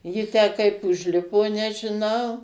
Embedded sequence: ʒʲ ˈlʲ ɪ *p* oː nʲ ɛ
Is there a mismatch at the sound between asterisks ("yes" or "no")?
no